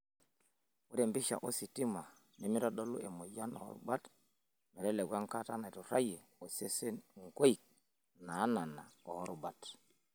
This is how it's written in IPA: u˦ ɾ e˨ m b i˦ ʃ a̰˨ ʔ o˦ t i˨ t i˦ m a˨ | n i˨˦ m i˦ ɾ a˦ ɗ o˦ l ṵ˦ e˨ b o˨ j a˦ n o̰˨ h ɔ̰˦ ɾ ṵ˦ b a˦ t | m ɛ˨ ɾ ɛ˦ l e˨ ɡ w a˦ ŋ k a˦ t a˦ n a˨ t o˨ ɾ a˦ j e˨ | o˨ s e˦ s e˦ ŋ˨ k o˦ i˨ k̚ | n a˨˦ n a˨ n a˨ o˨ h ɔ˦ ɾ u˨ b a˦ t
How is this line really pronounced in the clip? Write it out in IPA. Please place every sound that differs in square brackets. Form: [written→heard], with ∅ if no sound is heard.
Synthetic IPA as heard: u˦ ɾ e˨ m b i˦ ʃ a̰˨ ʔ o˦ [t→s] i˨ t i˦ m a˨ | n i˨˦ m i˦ ɾ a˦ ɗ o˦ l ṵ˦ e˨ [b→m] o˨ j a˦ n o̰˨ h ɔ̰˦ ɾ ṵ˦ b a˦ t | m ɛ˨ ɾ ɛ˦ l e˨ ɡ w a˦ ŋ k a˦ t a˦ n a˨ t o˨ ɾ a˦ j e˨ | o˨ s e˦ s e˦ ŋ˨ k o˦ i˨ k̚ | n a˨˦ n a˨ n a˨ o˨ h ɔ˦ ɾ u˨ b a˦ t